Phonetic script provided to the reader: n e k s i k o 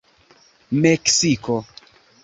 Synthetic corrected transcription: m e k s i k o